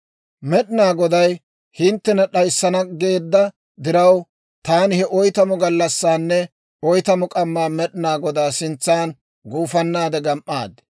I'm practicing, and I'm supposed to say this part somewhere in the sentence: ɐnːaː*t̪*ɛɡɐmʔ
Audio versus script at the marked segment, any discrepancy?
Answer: yes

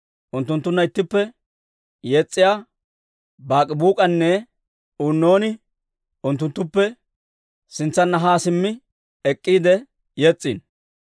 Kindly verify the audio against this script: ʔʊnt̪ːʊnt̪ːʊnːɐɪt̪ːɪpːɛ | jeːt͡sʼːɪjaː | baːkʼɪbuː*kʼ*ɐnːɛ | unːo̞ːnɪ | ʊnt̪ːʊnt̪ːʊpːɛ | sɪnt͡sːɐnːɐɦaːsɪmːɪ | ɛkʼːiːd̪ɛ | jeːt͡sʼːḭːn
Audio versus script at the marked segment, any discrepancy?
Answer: no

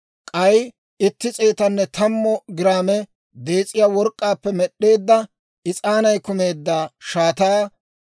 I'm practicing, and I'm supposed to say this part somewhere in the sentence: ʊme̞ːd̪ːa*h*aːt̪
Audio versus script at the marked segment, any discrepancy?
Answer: yes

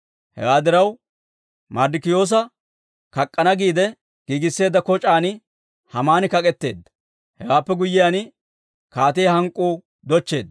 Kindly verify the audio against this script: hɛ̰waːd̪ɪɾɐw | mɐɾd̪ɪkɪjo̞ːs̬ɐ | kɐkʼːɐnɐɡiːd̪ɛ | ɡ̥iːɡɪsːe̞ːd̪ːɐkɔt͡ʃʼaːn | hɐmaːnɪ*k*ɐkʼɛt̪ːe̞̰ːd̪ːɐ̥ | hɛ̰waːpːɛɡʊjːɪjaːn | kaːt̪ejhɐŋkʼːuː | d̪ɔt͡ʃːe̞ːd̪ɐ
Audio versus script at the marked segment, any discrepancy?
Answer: no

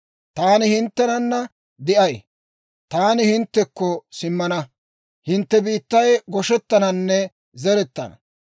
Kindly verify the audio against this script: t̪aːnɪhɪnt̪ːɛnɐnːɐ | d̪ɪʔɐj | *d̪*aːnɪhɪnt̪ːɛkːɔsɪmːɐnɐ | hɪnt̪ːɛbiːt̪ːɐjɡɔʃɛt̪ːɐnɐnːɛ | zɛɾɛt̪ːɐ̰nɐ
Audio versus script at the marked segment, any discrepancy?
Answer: yes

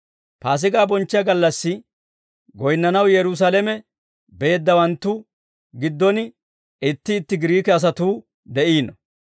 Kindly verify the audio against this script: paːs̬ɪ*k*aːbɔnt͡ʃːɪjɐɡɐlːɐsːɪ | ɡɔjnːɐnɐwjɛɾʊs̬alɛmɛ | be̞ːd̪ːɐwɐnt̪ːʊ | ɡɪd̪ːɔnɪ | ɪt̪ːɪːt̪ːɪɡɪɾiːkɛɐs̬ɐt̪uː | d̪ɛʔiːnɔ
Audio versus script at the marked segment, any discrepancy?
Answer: yes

